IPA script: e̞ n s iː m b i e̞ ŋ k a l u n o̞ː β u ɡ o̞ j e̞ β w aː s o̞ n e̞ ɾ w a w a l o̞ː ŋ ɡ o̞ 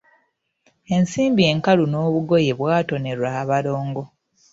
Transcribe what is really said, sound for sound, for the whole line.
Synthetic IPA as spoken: e̞ n s iː m b i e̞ ŋ k a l u n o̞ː β u ɡ o̞ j e̞ β w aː t o̞ n e̞ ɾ w a β a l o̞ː ŋ ɡ o̞